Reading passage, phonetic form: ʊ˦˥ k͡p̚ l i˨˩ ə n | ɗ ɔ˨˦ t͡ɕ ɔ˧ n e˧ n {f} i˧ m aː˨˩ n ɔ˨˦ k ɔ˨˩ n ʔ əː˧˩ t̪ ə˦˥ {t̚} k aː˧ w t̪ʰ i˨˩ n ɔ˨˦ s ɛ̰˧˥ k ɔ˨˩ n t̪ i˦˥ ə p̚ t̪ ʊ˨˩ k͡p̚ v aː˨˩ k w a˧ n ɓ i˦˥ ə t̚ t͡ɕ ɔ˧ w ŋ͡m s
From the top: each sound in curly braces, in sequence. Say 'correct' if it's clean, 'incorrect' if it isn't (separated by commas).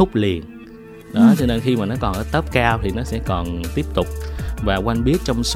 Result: incorrect, incorrect